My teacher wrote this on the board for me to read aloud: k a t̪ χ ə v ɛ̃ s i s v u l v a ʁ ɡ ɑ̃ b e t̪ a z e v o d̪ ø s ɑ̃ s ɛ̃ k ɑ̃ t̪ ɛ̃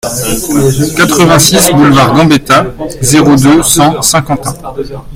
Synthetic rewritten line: k a t̪ χ ə v ɛ̃ s i s b u l v a ʁ ɡ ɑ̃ b e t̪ a z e ʁ o d̪ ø s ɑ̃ s ɛ̃ k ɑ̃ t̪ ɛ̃